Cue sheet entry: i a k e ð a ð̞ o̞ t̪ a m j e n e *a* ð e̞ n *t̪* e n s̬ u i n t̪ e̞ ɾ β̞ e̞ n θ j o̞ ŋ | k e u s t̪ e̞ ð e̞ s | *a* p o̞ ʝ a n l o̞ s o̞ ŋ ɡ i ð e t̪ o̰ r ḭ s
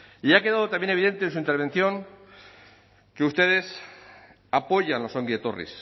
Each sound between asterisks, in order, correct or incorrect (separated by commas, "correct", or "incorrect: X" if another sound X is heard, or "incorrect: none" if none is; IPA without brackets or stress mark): incorrect: i, correct, correct